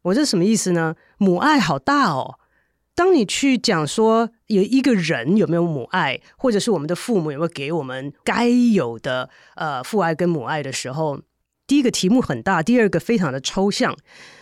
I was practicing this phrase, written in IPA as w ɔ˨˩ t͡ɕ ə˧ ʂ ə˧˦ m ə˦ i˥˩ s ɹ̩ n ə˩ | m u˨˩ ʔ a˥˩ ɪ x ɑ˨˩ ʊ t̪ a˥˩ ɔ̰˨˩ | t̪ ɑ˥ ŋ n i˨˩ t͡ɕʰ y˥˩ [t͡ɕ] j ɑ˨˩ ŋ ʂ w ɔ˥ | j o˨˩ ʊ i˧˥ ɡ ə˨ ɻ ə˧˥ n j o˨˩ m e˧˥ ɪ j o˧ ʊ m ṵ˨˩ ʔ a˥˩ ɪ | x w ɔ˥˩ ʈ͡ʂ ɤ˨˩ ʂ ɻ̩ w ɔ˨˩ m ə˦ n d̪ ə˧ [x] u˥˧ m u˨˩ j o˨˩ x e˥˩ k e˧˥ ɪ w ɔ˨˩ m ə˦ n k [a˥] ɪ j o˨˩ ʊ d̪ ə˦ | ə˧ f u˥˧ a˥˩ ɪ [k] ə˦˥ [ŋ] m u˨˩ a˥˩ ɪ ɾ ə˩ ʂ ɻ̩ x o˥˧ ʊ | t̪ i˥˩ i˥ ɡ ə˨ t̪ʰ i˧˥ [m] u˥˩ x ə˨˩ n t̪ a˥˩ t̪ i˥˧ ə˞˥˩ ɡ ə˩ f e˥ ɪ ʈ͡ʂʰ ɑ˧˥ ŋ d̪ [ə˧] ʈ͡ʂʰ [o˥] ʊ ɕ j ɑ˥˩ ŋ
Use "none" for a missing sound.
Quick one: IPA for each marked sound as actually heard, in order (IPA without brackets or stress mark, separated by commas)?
t͡ɕ, f, a˥, k, n, m, ə˧, o˥